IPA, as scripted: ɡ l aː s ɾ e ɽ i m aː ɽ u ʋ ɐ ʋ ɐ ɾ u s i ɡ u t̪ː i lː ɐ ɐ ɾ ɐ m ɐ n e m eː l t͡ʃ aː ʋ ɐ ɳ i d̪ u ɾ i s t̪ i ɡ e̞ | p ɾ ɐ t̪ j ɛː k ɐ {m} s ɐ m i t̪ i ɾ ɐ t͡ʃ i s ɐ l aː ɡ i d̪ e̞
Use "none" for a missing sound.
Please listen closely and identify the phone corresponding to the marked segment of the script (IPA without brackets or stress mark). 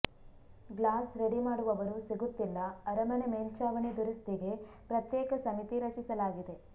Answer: none